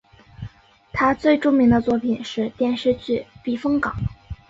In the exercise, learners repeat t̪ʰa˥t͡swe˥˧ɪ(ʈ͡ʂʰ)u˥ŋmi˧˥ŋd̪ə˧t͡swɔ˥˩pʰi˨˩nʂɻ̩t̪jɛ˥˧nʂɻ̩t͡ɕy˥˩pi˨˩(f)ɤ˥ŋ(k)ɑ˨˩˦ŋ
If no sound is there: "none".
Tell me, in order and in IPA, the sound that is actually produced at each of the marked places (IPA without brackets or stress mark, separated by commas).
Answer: ʈ͡ʂ, f, k